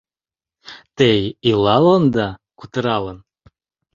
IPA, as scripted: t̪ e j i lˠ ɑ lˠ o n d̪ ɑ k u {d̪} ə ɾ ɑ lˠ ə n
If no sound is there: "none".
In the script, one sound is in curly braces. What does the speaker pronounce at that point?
t̪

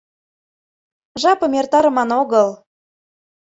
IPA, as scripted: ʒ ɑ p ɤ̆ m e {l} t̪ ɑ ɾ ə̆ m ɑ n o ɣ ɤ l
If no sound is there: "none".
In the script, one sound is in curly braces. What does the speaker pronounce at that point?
r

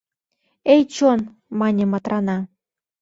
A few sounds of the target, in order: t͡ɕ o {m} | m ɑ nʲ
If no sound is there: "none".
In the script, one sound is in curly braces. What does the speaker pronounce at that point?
n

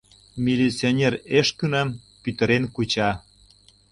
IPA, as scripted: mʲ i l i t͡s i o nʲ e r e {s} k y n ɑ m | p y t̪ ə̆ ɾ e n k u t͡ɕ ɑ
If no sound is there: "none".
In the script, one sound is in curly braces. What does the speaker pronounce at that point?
ʃ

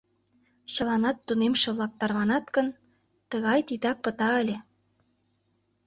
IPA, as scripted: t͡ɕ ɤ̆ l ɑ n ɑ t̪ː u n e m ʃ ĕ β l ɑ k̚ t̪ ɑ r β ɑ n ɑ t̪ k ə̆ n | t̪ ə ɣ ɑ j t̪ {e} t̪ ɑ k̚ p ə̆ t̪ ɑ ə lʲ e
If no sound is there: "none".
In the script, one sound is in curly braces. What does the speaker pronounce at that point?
i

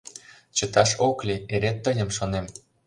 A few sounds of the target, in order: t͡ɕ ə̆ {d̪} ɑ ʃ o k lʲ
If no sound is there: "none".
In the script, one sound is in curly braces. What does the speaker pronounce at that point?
t̪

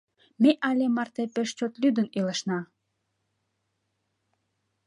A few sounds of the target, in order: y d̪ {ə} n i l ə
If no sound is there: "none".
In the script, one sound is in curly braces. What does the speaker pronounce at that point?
ə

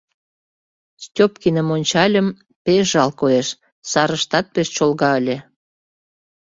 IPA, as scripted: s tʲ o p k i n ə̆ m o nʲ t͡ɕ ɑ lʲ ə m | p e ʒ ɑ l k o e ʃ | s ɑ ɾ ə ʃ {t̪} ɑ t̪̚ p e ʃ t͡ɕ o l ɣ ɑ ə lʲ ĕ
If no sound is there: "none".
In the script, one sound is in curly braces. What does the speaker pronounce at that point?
t̪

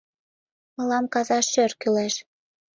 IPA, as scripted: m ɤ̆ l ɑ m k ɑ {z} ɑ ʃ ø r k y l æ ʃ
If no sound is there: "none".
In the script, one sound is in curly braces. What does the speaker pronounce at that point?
z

